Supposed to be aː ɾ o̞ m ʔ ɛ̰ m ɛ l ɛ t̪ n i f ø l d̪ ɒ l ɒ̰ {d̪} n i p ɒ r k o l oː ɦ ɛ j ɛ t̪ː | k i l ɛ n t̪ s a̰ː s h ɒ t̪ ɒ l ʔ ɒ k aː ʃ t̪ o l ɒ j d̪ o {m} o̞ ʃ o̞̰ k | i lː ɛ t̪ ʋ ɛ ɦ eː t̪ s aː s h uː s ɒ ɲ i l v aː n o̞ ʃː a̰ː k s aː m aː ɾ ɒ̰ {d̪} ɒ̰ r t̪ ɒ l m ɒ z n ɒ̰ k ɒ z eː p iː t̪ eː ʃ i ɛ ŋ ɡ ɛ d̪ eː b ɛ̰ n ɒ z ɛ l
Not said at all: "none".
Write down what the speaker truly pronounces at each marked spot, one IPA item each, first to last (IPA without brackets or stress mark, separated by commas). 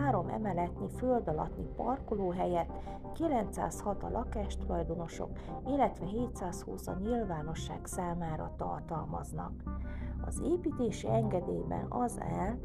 t̪, n, t̪